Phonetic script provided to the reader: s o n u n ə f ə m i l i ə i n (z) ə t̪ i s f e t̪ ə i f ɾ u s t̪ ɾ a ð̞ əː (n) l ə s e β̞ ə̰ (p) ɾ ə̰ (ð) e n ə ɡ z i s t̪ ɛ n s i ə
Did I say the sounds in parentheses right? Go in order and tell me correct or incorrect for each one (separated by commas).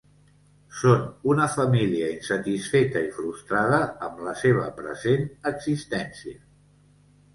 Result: incorrect, incorrect, correct, incorrect